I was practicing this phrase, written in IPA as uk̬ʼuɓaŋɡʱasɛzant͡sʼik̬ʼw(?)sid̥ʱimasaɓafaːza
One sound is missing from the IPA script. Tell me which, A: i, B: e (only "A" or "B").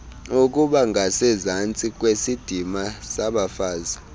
B